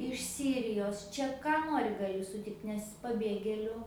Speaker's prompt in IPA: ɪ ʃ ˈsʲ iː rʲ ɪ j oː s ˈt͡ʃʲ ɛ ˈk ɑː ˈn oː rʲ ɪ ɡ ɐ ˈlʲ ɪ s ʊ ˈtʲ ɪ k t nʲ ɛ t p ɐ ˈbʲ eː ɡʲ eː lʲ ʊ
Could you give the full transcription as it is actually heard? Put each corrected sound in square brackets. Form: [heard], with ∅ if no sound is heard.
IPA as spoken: ɪ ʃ ˈsʲ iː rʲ ɪ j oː s ˈt͡ʃʲ ɛ ˈk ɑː ˈn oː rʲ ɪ ɡ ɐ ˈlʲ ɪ s ʊ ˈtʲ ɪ k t nʲ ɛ [s] p ɐ ˈbʲ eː ɡʲ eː lʲ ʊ